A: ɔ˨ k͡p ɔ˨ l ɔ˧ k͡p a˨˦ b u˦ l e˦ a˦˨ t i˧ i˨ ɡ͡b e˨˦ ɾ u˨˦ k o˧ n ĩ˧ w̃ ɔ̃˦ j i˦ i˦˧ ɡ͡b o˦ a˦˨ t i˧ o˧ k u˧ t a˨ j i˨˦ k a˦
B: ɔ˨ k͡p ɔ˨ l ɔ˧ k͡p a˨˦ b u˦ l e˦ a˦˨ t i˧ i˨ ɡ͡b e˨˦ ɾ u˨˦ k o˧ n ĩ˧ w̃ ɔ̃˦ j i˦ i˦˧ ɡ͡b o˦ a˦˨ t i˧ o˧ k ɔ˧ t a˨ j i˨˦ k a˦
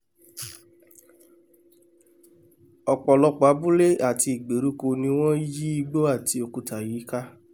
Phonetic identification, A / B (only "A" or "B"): A